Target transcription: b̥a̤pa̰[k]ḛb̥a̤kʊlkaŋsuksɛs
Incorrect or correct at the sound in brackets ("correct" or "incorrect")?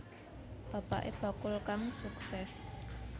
incorrect